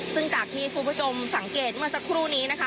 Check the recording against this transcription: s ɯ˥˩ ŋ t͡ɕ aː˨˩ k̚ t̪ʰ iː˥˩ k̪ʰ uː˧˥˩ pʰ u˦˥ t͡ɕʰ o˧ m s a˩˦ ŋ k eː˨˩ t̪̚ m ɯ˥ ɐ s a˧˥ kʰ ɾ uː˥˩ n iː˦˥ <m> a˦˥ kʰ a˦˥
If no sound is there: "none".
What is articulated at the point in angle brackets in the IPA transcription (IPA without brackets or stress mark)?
n